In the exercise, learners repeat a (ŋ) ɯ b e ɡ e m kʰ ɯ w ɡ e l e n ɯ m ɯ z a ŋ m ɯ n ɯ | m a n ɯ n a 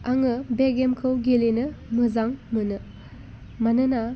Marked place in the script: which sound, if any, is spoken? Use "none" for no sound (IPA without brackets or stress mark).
ŋ